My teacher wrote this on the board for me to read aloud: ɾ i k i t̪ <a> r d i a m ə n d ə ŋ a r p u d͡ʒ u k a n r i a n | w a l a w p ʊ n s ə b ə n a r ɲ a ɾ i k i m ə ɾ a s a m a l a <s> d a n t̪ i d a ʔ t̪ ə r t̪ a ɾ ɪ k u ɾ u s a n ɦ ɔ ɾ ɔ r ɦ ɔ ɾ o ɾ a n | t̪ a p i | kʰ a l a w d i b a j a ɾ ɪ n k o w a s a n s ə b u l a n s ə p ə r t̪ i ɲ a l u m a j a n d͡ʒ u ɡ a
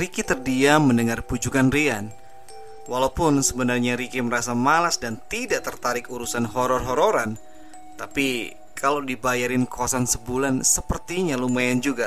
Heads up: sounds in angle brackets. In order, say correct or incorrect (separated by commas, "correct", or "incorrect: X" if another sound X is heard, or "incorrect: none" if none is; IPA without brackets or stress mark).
incorrect: ə, correct